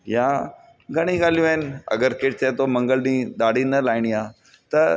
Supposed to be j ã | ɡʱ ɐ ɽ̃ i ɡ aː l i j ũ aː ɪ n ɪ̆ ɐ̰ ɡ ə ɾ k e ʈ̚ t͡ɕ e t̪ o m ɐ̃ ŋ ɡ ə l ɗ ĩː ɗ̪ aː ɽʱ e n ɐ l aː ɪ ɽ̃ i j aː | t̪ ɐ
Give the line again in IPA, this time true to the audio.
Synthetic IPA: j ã | ɡʱ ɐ ɽ̃ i ɡ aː l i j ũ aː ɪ n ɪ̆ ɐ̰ ɡ ə ɾ k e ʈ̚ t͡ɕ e t̪ o m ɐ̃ ŋ ɡ ə l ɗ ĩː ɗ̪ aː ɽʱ i n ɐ l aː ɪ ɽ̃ i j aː | t̪ ɐ